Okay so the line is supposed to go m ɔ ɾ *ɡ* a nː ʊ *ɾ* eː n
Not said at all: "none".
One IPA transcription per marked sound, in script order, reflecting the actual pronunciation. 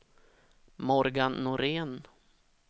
ɡ, ɾ

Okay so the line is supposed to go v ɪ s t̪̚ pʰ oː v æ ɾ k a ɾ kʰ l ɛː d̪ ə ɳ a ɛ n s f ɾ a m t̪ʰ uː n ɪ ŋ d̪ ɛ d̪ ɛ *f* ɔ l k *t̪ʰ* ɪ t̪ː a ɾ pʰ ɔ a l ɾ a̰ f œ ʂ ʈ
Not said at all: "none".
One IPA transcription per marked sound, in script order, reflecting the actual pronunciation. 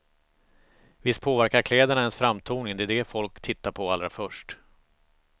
f, t̪ʰ

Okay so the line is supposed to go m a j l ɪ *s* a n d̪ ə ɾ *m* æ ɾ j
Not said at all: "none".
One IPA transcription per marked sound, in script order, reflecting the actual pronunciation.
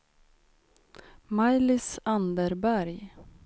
s, b

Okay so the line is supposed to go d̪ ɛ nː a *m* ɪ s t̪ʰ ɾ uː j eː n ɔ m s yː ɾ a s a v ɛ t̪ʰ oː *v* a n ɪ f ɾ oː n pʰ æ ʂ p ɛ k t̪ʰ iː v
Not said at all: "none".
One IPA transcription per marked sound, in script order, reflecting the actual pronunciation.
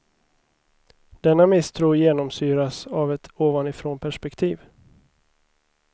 m, v

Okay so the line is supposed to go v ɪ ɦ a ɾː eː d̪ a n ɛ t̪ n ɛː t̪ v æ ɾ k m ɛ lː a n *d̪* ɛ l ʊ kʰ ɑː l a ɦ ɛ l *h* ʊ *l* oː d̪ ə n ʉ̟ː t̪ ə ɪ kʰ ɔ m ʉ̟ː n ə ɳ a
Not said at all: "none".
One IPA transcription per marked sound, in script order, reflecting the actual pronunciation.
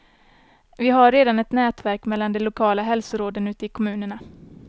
d̪, s, ɾ

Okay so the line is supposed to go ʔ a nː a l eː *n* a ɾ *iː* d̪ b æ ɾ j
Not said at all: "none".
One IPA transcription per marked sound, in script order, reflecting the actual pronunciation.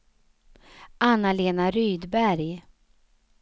n, yː

